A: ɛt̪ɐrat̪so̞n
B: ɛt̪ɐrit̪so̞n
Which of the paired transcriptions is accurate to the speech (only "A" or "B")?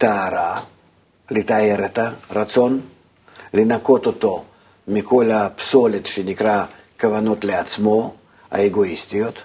A